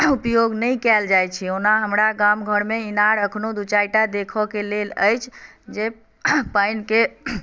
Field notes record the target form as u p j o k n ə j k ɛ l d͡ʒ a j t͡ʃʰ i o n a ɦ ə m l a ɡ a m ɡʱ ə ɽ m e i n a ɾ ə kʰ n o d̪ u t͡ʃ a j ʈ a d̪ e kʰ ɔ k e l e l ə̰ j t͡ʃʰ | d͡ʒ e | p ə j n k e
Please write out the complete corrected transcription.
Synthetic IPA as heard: u p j o ɡ n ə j k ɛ l d͡ʒ a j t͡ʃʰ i o n a ɦ ə m ɾ a ɡ a m ɡʱ ə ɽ m e i n a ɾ ə kʰ n o d̪ u t͡ʃ a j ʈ a d̪ e kʰ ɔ k e l e l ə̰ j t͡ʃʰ | d͡ʒ e | p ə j n k e